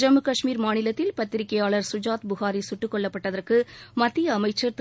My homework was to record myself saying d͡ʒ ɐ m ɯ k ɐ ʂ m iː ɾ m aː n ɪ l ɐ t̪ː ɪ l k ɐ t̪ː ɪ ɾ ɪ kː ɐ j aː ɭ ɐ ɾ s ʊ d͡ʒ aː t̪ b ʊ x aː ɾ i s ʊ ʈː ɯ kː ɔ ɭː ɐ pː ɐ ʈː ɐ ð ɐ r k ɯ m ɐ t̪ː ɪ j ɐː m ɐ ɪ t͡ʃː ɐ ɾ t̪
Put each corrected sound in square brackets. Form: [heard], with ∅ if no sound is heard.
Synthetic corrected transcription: d͡ʒ ɐ m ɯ k ɐ ʂ m iː ɾ m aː n ɪ l ɐ t̪ː ɪ l [p] ɐ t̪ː ɪ ɾ ɪ kː ɐ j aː ɭ ɐ ɾ s ʊ d͡ʒ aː t̪ b ʊ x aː ɾ i s ʊ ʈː ɯ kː ɔ ɭː ɐ pː ɐ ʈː ɐ ð ɐ r k ɯ m ɐ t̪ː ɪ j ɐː m ɐ ɪ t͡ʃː ɐ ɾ t̪